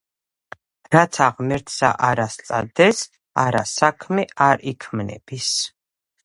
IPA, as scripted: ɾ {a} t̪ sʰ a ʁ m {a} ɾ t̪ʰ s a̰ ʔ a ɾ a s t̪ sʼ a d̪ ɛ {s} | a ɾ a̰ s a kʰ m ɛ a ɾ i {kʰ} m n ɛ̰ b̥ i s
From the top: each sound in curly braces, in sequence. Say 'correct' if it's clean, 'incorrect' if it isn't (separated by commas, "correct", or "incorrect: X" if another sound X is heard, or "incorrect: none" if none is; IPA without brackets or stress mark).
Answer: correct, incorrect: ɛ, correct, correct